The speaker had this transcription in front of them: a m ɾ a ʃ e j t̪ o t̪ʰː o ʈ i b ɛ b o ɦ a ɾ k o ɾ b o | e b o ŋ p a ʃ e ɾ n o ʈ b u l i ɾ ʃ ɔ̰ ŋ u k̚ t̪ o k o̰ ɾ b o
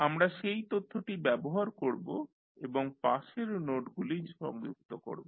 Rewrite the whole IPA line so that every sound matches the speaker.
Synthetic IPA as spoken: a m ɾ a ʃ e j t̪ o t̪ʰː o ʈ i b ɛ b o ɦ a ɾ k o ɾ b o | e b o ŋ p a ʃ e ɾ n o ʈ ɡ u l i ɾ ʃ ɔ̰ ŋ u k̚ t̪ o k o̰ ɾ b o